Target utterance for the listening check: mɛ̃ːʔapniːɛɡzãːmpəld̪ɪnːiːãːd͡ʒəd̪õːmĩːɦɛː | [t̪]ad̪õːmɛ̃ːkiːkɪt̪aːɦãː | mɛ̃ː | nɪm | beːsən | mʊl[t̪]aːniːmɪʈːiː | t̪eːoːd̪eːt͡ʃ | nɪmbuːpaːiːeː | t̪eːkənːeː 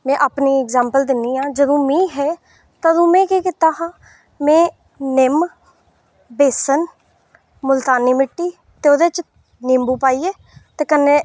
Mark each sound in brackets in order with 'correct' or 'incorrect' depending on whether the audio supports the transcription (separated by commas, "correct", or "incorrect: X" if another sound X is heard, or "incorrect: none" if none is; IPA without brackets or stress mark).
correct, correct